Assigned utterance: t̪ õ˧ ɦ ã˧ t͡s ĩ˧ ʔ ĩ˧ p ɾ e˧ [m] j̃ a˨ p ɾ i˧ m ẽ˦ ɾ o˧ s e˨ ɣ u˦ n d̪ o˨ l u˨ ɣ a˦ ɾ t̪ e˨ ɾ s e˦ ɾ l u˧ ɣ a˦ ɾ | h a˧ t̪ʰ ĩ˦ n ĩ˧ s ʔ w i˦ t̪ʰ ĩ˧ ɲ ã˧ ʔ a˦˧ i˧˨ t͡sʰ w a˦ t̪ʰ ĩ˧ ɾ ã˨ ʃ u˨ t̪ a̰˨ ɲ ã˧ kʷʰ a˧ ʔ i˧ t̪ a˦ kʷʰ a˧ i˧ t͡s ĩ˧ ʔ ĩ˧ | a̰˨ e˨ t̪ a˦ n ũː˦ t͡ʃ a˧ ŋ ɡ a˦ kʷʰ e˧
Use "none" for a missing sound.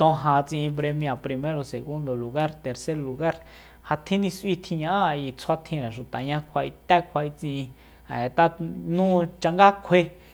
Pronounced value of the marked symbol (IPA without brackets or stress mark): m